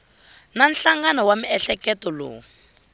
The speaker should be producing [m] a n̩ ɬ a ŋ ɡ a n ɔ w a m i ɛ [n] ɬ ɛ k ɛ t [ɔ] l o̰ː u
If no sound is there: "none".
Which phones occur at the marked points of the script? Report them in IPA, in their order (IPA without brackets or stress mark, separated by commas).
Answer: n, none, ɔ